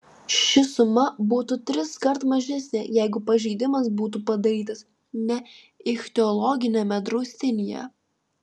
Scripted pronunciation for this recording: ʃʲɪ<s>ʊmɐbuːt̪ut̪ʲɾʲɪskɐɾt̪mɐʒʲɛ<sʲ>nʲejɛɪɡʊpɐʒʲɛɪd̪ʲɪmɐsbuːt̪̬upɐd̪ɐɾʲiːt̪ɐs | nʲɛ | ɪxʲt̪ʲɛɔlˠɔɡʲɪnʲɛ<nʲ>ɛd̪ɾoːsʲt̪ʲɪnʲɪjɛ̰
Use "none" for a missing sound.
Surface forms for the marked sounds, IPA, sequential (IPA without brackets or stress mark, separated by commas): s, sʲ, mʲ